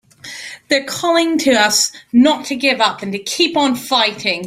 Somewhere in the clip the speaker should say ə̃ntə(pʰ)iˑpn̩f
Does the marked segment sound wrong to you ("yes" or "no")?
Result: yes